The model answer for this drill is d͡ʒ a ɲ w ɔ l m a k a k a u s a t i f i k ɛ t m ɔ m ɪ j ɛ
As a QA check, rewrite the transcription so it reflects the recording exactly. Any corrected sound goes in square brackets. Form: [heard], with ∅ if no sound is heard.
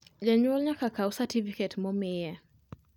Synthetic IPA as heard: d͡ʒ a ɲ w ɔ l [ɲ] a k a k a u s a t i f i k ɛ t m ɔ m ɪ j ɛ